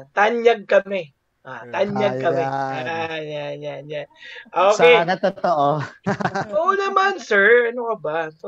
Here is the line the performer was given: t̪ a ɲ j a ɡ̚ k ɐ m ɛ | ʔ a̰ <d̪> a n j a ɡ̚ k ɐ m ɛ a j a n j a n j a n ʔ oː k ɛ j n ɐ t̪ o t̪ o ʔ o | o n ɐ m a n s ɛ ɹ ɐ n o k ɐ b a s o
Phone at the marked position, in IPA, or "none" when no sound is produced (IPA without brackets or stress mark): t̪